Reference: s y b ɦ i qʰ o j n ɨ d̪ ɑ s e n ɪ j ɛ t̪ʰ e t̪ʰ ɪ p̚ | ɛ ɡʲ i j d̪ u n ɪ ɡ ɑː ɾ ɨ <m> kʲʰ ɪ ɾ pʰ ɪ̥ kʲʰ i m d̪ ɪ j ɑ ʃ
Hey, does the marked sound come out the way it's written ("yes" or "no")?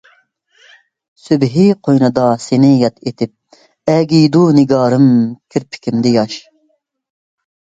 yes